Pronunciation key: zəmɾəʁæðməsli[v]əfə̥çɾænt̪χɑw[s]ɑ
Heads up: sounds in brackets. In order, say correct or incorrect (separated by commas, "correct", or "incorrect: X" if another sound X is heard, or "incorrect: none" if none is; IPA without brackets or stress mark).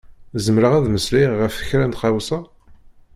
incorrect: ʁ, correct